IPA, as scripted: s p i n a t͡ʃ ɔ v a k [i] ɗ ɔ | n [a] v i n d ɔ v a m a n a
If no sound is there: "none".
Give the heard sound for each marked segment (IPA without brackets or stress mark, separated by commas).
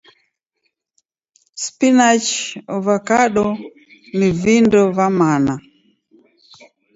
a, i